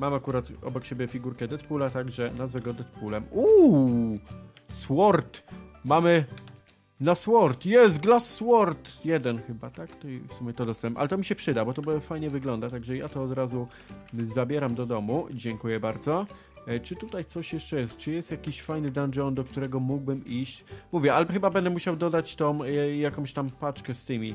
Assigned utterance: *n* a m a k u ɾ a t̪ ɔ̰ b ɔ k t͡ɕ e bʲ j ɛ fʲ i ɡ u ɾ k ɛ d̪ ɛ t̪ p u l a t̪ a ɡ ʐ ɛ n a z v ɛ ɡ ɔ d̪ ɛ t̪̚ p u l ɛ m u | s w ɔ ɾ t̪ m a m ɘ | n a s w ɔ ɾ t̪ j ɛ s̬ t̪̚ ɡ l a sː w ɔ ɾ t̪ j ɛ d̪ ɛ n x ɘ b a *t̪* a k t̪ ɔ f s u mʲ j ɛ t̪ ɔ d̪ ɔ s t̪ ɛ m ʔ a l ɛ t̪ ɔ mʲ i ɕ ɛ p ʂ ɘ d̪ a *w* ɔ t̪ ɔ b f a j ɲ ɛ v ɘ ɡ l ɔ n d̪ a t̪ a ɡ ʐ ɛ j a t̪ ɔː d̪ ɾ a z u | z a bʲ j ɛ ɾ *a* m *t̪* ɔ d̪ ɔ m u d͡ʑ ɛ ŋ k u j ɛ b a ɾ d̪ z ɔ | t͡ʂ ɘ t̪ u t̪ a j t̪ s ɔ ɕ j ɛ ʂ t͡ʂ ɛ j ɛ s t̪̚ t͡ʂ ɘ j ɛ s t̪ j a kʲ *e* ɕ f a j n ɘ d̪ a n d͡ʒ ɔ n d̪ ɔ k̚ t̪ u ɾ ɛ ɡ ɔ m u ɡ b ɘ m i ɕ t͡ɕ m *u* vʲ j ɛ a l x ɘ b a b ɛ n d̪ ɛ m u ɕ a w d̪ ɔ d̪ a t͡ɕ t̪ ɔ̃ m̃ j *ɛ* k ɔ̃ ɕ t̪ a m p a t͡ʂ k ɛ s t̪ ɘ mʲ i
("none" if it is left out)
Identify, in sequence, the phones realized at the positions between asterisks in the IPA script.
m, t̪, b, a, d̪, i, u, a

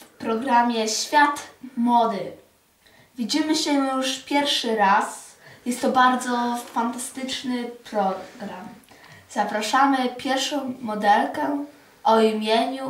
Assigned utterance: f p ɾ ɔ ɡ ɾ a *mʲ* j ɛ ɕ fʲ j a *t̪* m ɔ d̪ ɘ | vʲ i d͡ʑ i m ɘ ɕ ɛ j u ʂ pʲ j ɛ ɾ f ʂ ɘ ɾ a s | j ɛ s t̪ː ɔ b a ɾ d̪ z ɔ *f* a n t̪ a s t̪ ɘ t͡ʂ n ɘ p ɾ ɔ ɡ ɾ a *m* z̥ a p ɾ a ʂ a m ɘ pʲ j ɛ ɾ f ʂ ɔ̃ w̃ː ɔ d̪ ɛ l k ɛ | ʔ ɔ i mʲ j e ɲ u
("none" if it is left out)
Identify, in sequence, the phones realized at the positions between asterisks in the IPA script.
mʲ, t̪, f, m

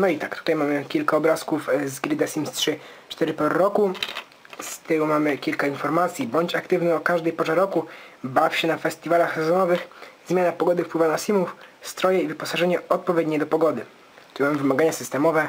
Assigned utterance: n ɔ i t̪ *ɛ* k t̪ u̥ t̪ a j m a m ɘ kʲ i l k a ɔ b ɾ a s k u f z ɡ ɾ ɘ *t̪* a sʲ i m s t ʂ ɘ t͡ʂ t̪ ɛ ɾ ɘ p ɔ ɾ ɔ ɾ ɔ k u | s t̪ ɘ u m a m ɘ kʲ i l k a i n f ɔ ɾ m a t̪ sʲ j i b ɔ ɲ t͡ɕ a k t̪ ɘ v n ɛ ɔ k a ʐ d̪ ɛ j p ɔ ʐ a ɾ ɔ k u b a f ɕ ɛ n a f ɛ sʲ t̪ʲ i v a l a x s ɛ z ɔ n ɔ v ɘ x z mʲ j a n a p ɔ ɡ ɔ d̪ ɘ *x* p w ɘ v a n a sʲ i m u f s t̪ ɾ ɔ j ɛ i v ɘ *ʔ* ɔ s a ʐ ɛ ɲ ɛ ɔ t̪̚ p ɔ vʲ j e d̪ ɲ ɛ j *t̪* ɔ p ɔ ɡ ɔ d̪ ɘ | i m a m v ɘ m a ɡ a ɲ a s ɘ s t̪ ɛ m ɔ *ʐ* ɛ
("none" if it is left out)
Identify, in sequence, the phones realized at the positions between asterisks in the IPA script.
a, d̪, f, p, d̪, v

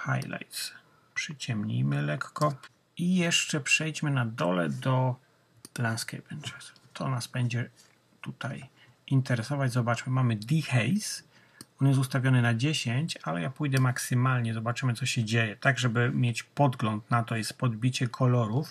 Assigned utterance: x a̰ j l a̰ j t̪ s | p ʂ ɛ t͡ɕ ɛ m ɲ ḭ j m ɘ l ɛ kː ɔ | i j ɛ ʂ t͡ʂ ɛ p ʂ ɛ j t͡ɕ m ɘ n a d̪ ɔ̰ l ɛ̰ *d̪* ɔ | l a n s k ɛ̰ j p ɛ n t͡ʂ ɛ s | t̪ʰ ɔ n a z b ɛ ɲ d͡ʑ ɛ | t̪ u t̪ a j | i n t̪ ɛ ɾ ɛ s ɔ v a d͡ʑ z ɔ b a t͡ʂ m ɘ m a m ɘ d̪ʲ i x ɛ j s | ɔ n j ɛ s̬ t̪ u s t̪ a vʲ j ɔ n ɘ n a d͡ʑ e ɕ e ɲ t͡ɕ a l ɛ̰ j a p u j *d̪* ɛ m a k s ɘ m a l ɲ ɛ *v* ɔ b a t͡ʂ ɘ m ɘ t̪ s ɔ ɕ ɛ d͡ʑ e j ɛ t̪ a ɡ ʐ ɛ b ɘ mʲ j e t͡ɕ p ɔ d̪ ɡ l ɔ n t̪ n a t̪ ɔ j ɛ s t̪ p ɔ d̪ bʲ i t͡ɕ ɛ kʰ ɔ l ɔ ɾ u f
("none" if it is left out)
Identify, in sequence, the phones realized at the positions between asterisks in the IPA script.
d̪, d̪, z

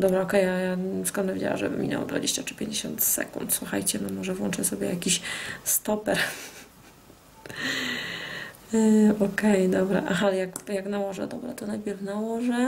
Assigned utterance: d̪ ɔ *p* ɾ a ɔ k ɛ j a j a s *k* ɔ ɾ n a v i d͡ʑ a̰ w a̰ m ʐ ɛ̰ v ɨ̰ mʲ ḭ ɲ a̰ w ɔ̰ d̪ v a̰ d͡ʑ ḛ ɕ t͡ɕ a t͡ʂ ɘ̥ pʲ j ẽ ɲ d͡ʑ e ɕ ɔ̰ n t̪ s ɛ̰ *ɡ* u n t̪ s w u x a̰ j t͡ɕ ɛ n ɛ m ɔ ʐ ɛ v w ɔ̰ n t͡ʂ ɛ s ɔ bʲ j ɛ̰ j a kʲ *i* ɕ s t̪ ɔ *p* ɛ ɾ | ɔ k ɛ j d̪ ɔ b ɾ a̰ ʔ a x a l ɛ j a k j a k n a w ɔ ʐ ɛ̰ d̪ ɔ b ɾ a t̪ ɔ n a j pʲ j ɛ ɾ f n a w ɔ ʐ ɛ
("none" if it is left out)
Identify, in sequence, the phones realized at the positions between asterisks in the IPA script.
b, k, k, i, p

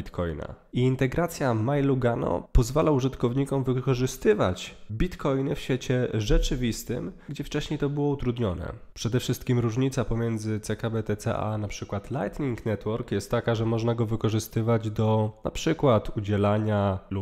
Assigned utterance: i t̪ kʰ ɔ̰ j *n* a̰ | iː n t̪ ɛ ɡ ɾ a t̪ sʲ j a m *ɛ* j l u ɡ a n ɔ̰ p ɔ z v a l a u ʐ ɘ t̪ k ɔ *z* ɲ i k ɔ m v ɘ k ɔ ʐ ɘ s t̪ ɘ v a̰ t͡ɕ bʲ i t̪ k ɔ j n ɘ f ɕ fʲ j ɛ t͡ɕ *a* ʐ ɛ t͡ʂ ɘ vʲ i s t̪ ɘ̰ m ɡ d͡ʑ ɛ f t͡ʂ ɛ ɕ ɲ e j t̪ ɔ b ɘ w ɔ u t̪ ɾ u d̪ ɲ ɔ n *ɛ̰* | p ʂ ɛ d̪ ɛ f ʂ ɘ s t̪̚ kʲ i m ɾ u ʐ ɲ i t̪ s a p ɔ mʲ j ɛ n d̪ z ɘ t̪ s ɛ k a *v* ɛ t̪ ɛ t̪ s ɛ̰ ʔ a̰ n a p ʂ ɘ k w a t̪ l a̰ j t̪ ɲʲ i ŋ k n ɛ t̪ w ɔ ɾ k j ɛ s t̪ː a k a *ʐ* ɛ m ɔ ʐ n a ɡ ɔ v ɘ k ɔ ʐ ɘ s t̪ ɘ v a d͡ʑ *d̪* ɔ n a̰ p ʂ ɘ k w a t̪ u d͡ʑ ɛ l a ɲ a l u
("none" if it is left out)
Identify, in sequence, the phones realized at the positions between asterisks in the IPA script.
n, a, v, ɛ, ɛ̰, b, ʐ, d̪

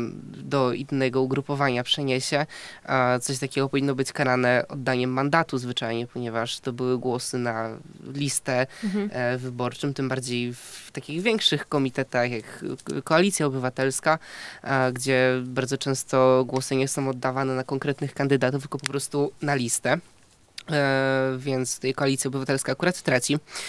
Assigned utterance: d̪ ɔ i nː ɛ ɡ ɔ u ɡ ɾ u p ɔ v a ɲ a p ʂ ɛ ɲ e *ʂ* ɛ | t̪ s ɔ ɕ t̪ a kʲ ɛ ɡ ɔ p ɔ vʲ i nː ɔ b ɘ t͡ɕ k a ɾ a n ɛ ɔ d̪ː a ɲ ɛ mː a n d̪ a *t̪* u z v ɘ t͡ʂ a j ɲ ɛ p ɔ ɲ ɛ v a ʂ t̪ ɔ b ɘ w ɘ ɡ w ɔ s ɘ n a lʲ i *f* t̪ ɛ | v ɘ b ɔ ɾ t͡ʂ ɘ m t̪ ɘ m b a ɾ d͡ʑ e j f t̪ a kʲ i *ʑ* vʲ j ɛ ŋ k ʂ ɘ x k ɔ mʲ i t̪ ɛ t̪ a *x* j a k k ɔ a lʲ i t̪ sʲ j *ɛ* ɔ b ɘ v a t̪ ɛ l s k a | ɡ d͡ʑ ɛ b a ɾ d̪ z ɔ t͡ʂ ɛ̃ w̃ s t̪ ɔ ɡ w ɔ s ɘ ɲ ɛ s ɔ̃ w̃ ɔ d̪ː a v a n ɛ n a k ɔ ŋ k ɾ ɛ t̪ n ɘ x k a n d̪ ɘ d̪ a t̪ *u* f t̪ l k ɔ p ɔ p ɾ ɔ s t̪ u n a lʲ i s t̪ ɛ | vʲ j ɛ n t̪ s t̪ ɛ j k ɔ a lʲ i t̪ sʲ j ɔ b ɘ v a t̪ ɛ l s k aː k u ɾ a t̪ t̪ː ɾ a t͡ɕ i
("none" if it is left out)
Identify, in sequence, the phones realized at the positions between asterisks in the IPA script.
ɕ, t̪, s, ɣ, x, a, u

